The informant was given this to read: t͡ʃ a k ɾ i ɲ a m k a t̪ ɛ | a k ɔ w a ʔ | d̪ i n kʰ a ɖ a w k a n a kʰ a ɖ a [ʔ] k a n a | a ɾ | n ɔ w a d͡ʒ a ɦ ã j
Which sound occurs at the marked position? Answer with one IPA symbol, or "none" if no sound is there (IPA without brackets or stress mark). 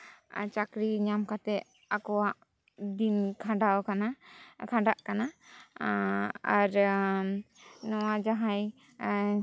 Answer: ʔ